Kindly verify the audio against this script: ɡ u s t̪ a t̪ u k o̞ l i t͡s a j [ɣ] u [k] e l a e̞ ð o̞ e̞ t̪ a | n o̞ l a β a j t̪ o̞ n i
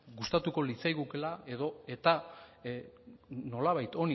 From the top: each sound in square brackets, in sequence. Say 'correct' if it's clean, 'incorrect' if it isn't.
correct, correct

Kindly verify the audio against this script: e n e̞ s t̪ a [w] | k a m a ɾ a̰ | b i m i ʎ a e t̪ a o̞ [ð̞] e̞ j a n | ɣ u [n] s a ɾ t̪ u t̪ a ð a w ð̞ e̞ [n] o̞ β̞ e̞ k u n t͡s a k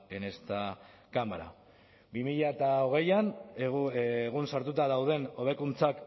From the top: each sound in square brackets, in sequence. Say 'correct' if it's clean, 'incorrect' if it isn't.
incorrect: none, incorrect: ɣ̞, correct, correct

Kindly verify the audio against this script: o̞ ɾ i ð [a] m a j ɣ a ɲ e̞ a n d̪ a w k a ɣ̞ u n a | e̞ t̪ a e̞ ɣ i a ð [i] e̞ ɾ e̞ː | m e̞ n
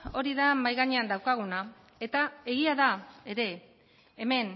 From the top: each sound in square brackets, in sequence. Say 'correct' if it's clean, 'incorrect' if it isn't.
correct, incorrect: a

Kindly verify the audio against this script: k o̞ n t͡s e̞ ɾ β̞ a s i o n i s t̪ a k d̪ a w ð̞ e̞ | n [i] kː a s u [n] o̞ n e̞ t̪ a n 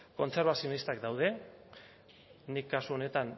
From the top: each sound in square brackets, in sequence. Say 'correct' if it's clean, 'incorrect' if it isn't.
correct, incorrect: none

